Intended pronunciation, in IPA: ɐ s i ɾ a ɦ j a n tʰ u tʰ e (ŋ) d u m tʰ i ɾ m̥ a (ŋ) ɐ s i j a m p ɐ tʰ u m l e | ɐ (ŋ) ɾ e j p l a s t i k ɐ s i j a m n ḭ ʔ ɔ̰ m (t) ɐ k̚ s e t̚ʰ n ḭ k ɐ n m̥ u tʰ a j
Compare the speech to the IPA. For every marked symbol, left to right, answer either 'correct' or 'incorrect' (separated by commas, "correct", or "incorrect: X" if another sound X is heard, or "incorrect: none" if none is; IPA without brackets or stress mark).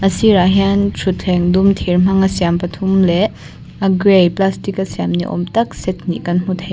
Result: correct, correct, incorrect: ɡ, correct